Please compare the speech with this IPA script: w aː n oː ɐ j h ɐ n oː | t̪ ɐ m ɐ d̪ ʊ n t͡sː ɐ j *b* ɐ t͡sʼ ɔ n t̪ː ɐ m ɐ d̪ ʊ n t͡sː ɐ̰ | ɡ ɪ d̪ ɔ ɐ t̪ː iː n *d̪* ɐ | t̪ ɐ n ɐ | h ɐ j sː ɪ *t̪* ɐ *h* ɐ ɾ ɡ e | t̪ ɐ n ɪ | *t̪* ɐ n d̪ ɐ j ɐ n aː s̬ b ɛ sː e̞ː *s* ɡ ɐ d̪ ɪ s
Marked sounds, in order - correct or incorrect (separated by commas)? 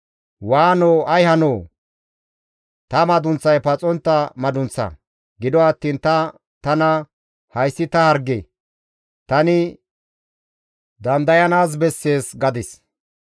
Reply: incorrect, incorrect, correct, correct, incorrect, correct